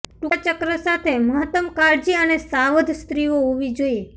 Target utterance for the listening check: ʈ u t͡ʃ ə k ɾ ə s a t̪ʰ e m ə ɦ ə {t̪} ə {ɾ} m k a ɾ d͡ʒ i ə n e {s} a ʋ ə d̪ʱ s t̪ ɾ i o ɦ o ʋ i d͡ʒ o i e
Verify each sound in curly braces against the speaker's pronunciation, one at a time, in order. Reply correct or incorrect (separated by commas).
correct, incorrect, correct